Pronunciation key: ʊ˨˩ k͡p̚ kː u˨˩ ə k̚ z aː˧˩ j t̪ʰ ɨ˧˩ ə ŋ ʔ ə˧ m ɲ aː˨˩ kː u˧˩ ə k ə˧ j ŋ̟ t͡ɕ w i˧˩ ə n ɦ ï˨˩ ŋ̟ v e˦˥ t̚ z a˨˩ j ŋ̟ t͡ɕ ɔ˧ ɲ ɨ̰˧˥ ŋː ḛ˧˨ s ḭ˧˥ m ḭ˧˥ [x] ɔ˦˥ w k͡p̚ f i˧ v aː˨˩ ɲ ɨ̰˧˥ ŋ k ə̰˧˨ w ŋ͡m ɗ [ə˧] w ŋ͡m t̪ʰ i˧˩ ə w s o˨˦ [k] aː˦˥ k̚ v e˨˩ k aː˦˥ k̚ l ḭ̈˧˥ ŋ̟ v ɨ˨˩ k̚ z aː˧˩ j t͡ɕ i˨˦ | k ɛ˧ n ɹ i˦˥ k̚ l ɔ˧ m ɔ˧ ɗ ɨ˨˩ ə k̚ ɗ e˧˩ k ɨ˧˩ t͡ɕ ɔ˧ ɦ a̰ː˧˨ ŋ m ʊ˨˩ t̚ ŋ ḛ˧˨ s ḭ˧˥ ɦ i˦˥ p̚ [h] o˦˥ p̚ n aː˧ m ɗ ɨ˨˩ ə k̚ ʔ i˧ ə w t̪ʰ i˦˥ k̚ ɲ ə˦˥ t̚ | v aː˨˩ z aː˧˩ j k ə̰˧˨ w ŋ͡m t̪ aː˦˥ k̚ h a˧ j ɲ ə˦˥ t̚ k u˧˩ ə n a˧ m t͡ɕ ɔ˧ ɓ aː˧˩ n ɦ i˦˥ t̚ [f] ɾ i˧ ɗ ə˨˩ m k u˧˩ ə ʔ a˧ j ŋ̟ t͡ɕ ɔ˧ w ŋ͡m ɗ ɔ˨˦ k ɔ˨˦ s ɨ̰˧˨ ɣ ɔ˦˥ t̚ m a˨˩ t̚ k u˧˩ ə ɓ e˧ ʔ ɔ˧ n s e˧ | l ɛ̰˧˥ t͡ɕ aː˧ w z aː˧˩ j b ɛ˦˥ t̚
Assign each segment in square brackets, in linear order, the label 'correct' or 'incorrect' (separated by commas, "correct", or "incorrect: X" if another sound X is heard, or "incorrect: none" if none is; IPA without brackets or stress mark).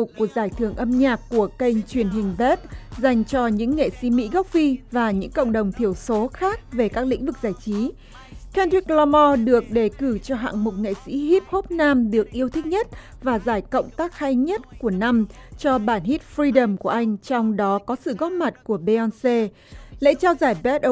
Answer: incorrect: ɣ, incorrect: ə˨˩, incorrect: x, correct, correct